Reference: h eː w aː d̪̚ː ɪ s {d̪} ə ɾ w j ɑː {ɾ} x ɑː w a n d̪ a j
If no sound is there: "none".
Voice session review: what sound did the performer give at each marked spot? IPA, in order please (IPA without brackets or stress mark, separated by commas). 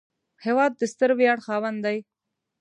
t̪, ɽ